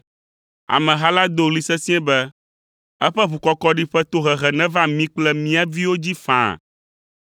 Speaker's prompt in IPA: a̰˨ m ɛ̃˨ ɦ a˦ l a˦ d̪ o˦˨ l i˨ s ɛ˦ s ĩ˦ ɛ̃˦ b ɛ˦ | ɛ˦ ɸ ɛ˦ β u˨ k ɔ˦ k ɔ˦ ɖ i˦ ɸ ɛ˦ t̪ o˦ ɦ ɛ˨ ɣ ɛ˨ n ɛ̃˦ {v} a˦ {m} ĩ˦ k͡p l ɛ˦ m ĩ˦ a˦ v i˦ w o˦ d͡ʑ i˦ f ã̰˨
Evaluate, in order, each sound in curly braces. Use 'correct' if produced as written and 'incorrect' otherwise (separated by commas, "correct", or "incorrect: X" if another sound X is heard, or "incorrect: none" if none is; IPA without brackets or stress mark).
correct, correct